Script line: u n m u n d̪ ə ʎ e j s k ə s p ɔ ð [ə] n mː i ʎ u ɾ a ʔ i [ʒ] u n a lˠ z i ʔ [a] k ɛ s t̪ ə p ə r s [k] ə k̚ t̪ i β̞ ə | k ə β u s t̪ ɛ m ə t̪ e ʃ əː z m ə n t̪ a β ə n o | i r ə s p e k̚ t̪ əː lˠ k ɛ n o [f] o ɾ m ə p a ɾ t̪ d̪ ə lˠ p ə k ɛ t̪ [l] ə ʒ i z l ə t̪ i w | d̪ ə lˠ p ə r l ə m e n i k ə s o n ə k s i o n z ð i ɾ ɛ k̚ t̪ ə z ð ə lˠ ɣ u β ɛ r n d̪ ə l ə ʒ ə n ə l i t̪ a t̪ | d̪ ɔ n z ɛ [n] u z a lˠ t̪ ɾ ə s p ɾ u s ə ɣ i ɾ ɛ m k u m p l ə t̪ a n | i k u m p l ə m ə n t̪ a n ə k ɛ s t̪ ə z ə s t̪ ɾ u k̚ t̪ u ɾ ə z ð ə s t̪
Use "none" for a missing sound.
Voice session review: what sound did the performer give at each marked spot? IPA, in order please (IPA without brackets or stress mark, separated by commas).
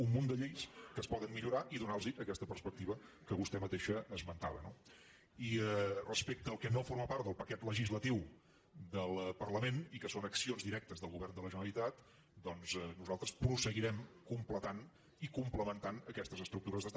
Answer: ə, ð, ə, p, f, l, n